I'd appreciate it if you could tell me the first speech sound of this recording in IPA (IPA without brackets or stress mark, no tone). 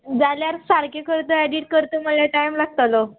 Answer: d͡z